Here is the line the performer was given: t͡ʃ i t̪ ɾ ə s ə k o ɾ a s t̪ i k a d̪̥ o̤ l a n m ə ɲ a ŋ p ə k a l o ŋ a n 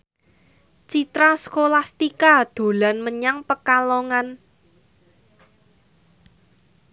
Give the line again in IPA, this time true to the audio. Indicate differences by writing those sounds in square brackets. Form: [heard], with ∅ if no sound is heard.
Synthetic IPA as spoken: t͡ʃ i t̪ ɾ [a] s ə k o [l] a s t̪ i k a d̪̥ o̤ l a n m ə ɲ a ŋ p ə k a l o ŋ a n